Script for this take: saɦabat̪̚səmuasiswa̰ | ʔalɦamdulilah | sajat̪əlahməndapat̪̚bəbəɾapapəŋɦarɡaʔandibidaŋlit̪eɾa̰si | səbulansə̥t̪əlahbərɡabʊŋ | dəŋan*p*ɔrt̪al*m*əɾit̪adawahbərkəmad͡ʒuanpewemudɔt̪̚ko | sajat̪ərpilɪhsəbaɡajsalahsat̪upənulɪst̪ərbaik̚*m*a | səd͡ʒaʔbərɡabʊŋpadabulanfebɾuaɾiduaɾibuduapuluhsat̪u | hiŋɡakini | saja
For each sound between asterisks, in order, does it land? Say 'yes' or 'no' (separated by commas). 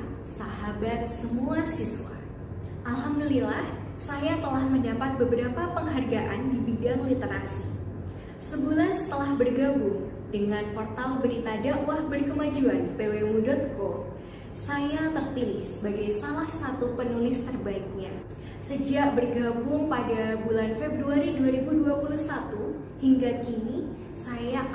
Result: yes, no, no